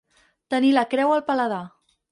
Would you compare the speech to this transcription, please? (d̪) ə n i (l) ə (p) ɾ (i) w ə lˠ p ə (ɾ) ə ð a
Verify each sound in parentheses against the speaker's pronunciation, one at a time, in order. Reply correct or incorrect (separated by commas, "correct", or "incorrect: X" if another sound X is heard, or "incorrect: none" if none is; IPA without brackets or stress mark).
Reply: incorrect: t̪, correct, incorrect: k, incorrect: ɛ, incorrect: l